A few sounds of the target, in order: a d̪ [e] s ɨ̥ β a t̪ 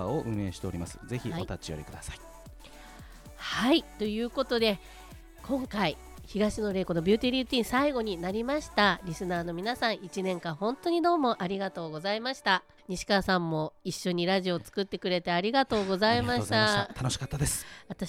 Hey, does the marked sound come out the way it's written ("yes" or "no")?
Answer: yes